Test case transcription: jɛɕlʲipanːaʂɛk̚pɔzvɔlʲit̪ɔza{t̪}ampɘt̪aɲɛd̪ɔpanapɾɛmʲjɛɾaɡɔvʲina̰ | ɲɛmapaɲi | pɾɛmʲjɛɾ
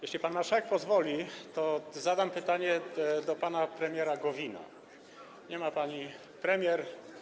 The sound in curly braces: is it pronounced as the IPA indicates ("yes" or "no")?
no